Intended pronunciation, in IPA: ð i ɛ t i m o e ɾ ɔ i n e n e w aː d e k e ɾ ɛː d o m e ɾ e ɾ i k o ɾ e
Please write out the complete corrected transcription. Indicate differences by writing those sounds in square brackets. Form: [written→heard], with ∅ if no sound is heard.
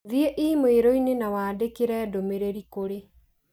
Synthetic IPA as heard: ð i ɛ [t→ʔ] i m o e ɾ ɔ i n e n [e→a] w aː d e k e ɾ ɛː d o m e ɾ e ɾ i k o ɾ e